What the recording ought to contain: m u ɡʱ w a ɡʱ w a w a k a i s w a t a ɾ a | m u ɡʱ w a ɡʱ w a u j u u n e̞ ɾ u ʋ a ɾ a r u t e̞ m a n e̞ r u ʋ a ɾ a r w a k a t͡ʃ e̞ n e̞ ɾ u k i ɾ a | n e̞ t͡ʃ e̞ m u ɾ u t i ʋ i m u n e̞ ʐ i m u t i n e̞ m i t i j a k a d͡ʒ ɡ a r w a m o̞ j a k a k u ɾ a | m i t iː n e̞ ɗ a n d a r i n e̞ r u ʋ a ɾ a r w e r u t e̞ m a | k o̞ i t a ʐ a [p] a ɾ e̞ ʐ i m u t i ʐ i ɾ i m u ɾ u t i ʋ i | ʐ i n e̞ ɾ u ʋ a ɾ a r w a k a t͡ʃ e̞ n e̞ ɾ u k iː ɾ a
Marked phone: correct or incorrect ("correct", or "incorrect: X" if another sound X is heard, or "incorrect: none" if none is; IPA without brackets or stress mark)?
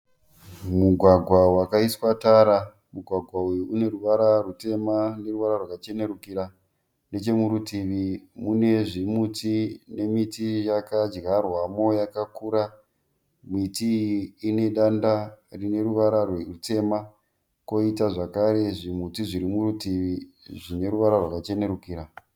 incorrect: k